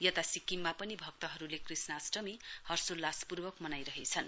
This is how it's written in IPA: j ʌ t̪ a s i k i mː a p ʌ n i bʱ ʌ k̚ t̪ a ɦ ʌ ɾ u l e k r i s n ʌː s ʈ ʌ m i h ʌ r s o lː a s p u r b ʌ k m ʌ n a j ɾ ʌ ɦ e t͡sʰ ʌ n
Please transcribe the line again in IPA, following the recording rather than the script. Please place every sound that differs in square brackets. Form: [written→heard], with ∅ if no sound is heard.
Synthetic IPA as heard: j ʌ t̪ a s i k i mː a p ʌ n i bʱ ʌ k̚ t̪ [a→ʌ] ɦ ʌ ɾ u l e k r i s n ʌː s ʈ ʌ m i h ʌ r s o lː a s p u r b ʌ k m ʌ n a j ɾ ʌ ɦ e t͡sʰ ʌ n